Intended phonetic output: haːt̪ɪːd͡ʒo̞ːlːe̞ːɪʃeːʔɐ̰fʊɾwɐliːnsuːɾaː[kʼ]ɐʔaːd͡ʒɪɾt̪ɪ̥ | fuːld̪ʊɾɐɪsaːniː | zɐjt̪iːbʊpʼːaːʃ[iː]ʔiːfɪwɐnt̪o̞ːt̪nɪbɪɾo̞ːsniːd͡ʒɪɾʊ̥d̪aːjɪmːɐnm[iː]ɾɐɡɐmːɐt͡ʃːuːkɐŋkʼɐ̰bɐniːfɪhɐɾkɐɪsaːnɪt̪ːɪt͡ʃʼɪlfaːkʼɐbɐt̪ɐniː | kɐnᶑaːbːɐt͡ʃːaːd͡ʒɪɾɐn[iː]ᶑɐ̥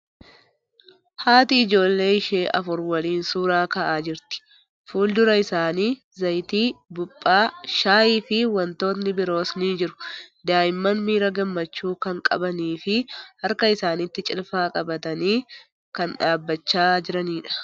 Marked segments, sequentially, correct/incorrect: incorrect, incorrect, correct, correct

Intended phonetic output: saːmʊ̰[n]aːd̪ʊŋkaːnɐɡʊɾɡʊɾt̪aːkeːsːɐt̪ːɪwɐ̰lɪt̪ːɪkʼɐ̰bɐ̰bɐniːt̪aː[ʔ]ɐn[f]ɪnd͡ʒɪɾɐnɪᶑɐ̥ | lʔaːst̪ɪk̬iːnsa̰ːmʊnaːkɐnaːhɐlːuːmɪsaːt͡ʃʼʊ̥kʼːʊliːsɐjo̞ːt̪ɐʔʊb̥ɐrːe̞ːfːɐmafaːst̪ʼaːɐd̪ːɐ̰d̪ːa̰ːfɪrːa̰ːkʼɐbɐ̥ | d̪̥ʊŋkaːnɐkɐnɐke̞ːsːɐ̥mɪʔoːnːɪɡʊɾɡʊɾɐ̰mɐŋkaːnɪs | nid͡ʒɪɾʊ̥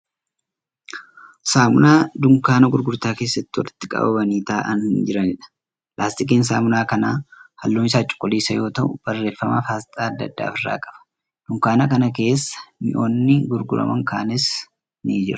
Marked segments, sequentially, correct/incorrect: correct, correct, incorrect

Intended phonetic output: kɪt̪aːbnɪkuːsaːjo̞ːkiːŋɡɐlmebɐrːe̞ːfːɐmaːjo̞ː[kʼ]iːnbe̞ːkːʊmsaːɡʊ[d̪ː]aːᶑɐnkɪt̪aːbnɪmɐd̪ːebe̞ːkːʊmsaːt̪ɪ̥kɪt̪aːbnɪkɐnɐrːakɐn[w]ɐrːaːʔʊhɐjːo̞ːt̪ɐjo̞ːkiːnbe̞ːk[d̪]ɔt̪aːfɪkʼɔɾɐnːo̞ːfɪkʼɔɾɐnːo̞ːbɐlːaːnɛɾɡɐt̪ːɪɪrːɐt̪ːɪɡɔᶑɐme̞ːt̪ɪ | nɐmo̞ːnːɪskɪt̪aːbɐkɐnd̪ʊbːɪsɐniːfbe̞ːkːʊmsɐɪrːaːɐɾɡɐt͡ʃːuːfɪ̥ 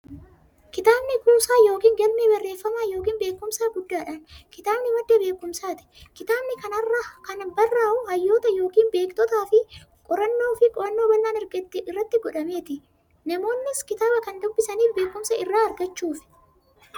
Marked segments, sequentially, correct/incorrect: incorrect, correct, incorrect, incorrect

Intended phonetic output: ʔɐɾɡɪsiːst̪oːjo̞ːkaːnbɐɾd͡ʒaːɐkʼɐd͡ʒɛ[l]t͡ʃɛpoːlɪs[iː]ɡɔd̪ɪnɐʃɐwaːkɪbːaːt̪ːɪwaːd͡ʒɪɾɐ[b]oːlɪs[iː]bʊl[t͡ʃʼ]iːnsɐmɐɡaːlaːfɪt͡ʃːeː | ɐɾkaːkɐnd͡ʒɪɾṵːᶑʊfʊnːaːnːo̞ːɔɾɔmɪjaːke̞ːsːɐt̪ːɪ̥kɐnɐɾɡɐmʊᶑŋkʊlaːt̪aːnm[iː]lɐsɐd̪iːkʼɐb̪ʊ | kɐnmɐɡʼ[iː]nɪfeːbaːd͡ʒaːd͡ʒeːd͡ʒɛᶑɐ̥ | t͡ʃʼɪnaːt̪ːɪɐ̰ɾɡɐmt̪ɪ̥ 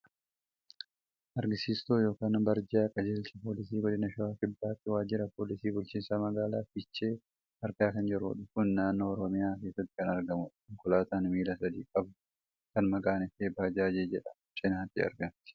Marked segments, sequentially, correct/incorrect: correct, correct, incorrect, correct, incorrect, correct, incorrect

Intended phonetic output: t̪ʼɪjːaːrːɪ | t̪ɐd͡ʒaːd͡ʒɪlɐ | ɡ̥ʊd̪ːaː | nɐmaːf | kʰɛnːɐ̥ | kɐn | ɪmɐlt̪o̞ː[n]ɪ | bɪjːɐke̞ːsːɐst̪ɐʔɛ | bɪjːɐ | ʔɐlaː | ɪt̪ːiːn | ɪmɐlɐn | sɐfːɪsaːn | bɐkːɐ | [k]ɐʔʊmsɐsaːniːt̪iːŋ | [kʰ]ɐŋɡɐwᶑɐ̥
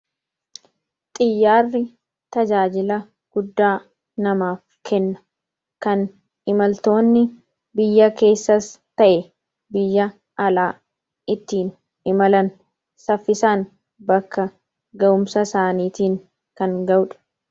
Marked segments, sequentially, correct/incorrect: incorrect, incorrect, incorrect

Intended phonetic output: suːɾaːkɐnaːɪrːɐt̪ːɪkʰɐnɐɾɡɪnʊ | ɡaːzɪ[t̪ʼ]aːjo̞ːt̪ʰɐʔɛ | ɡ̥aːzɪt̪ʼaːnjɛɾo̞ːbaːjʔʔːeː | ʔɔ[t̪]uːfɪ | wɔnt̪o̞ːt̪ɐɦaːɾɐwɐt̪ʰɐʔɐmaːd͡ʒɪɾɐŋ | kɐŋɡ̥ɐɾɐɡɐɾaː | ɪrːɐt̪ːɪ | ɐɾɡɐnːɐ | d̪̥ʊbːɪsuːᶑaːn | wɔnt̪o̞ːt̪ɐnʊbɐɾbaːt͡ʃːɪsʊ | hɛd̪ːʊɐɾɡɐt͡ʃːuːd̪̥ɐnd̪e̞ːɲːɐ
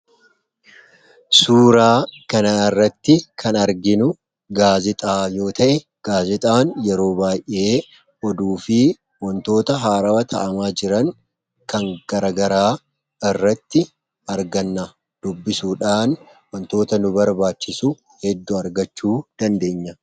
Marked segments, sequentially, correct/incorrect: correct, incorrect

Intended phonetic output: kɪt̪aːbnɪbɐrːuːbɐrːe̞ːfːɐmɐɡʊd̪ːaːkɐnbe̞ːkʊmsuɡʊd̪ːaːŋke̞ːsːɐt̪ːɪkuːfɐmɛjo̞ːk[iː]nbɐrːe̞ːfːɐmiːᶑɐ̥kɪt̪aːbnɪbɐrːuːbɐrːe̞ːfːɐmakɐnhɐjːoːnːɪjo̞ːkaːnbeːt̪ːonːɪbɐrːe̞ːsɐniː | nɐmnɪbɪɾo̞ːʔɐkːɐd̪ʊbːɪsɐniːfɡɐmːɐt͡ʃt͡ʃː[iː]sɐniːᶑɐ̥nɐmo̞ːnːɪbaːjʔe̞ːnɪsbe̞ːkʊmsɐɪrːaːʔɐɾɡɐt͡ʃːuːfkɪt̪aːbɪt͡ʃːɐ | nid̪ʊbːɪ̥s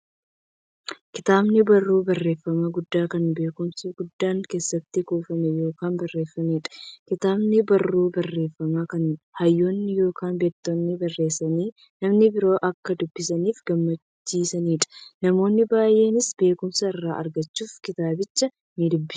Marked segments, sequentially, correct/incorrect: incorrect, correct

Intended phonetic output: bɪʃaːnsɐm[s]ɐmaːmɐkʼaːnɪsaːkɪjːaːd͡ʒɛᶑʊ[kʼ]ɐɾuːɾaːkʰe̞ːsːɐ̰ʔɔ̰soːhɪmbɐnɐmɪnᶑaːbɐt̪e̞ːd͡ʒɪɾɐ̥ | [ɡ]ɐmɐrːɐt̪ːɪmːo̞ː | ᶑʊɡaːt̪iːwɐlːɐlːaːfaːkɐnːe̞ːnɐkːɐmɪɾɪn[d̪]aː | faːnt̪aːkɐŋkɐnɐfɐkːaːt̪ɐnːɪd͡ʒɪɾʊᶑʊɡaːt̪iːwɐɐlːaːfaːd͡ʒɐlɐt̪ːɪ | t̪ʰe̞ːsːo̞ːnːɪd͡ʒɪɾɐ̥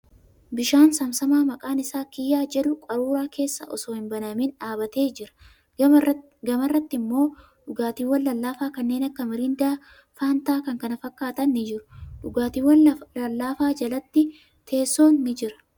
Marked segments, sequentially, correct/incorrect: correct, correct, correct, correct

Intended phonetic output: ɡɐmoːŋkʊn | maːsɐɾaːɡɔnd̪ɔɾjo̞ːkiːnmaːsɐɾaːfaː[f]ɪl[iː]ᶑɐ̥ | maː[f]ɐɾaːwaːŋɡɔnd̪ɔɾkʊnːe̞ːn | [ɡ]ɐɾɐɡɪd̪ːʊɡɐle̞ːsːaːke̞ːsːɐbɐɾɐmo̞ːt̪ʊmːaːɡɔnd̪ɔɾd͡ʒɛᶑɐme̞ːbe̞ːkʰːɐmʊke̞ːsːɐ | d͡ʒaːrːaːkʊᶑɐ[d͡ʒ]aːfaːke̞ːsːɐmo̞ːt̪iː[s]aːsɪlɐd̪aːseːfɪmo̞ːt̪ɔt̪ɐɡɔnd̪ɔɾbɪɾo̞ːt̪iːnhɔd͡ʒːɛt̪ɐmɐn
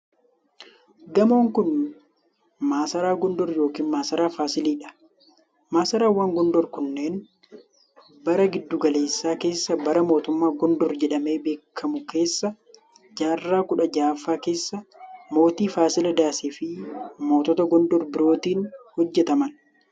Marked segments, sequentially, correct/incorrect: incorrect, correct, incorrect, incorrect, correct, incorrect

